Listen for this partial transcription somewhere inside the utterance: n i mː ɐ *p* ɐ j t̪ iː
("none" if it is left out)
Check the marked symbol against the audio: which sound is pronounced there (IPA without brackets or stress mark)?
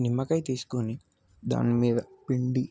k